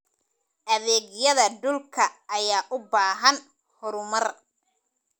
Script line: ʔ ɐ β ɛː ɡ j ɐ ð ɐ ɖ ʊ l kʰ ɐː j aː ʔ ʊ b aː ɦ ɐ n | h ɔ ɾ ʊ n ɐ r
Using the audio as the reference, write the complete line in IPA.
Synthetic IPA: ʔ ɐ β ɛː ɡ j ɐ ð ɐ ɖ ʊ l kʰ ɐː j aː ʔ ʊ b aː ɦ ɐ n | h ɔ ɾ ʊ m ɐ r